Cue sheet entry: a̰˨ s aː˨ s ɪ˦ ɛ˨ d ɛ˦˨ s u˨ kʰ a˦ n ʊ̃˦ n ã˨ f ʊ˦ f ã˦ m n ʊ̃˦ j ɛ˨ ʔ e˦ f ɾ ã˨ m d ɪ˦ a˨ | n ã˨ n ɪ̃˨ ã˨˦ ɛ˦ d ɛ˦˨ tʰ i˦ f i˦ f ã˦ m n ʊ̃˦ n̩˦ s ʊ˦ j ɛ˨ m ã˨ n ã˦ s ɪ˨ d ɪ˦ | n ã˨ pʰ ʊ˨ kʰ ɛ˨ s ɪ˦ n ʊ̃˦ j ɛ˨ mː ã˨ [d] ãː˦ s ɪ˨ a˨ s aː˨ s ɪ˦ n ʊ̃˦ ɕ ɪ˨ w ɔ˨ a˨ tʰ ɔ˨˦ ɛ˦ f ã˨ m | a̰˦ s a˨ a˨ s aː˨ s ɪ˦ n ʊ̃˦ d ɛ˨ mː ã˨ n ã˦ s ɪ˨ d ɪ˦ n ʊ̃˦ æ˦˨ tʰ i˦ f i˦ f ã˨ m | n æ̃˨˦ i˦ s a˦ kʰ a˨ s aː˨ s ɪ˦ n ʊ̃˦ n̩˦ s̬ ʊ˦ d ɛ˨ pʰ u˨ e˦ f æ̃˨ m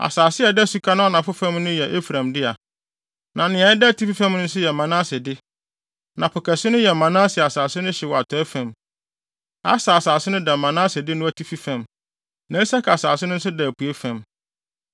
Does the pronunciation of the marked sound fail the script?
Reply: yes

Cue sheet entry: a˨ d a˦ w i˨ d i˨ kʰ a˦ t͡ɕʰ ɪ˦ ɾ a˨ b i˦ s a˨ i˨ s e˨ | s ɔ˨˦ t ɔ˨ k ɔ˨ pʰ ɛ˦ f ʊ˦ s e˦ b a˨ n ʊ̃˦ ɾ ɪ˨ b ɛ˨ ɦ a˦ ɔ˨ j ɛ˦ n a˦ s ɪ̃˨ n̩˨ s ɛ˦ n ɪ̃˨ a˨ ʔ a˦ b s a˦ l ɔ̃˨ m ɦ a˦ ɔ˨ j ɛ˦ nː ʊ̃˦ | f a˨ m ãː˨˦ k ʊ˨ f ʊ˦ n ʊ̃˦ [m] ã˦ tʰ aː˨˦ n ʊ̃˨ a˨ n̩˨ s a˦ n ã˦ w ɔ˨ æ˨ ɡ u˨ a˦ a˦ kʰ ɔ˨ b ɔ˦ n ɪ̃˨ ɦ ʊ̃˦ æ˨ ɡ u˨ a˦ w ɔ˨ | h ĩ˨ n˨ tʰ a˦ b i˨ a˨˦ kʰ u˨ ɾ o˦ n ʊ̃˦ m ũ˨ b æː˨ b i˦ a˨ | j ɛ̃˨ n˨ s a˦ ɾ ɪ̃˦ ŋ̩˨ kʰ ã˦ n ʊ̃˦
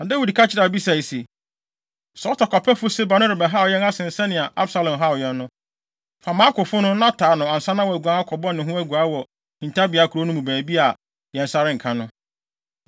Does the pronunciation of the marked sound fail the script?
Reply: yes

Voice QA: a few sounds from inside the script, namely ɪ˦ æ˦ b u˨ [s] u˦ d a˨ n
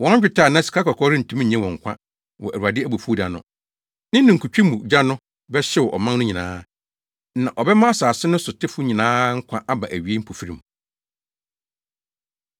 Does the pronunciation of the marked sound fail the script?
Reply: yes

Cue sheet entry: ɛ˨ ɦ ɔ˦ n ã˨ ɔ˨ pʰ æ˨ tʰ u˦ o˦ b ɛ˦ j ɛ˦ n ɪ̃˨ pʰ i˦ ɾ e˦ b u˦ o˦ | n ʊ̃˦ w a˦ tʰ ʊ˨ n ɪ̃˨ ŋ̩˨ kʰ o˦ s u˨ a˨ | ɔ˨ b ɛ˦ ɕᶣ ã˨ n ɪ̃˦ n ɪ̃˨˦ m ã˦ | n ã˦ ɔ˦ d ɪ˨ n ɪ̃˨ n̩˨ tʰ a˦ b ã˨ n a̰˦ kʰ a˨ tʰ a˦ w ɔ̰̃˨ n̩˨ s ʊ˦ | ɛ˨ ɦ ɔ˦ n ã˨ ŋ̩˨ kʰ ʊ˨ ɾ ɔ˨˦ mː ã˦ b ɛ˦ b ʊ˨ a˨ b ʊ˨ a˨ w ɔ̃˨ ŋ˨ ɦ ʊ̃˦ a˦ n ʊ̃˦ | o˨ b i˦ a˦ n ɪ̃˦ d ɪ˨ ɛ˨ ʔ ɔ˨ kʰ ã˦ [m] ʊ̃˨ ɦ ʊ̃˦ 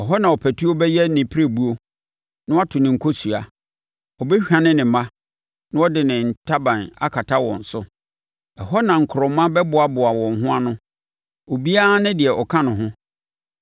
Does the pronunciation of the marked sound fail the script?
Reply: yes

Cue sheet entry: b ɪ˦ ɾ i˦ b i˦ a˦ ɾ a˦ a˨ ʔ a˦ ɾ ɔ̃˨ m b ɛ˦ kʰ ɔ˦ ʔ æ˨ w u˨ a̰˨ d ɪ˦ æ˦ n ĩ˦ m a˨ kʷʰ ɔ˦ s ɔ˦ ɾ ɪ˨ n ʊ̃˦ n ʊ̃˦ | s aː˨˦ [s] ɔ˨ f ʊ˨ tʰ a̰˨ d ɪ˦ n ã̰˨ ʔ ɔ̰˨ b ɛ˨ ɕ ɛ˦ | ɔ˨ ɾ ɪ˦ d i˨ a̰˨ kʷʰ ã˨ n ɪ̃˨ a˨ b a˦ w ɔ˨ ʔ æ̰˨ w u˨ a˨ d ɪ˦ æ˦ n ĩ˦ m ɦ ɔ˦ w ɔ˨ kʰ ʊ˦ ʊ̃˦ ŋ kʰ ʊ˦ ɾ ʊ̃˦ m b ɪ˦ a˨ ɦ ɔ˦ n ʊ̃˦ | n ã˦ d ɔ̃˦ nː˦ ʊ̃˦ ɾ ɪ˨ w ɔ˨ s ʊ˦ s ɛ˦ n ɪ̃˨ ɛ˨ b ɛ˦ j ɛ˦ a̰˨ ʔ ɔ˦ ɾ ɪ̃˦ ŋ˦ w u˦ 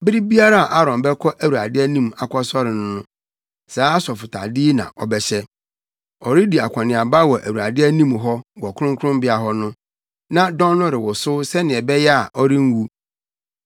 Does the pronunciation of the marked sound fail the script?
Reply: no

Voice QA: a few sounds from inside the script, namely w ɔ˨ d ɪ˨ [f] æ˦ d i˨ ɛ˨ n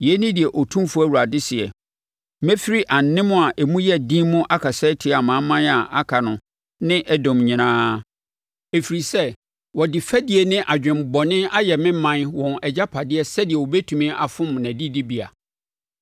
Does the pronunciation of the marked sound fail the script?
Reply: no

